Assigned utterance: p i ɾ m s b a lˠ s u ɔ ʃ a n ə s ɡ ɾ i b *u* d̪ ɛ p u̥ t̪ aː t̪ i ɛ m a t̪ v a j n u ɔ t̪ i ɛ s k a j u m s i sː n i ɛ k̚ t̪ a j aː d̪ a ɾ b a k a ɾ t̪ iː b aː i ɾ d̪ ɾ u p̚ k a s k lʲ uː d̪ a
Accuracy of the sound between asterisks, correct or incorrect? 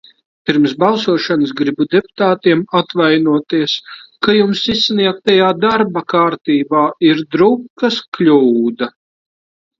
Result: correct